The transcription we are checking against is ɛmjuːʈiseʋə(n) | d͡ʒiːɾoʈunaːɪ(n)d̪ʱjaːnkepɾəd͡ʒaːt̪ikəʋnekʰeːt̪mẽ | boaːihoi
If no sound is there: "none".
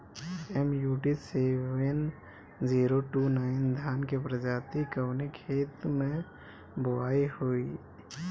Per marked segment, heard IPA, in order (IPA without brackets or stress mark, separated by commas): n, n